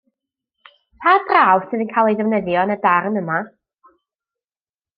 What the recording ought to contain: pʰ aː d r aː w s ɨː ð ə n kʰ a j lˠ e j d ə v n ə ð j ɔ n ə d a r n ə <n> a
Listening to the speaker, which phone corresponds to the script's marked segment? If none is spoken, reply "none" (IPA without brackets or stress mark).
m